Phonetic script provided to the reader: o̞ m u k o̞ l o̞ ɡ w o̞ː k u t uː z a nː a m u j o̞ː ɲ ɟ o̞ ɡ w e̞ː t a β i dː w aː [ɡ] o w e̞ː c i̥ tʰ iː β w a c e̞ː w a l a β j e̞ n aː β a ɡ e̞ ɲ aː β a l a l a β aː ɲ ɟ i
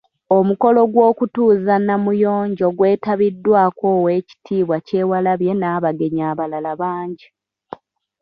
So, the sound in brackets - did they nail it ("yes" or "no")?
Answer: no